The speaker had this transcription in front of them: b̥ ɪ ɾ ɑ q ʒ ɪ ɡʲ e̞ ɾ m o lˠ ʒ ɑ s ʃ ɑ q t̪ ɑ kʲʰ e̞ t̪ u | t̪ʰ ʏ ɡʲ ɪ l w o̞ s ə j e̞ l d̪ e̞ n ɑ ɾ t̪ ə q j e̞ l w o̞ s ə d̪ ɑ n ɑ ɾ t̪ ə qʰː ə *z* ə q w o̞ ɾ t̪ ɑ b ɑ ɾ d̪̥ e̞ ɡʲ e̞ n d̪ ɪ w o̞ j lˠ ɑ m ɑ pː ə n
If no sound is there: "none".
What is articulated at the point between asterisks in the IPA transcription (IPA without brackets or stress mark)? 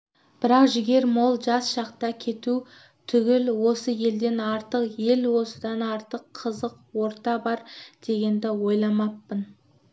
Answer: z